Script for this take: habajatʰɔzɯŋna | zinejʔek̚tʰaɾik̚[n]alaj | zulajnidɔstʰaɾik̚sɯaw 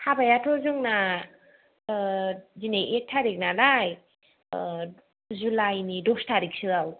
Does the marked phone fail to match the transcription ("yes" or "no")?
no